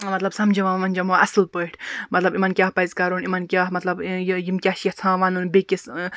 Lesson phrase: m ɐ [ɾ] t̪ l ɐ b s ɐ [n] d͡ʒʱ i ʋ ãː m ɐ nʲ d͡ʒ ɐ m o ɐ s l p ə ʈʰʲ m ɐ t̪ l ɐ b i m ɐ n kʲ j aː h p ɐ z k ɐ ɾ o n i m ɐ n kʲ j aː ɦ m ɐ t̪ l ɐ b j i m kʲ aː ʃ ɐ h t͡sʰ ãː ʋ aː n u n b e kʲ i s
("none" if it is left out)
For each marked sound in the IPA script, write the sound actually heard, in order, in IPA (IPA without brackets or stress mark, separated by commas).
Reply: none, m